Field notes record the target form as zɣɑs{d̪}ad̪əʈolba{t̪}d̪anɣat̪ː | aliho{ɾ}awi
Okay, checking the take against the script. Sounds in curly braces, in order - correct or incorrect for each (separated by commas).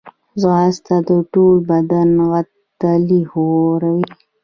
incorrect, incorrect, correct